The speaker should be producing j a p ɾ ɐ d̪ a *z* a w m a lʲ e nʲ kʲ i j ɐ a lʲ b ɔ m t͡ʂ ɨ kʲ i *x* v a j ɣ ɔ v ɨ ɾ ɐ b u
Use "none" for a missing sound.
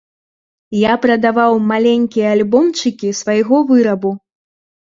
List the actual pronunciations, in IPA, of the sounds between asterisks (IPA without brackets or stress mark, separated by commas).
v, s